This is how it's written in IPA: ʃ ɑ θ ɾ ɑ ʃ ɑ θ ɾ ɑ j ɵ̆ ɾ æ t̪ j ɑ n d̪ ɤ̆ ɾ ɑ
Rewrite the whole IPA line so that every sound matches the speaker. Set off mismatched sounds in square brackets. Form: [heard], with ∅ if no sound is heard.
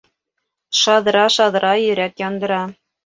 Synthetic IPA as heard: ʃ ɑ [ð] ɾ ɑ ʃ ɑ [ð] ɾ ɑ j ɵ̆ ɾ æ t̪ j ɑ n d̪ ɤ̆ ɾ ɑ